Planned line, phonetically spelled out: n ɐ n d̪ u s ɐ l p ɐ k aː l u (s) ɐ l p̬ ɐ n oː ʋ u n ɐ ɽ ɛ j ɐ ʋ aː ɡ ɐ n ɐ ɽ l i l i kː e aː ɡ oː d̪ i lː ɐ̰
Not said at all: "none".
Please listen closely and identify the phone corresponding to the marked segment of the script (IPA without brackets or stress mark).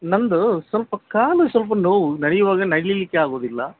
s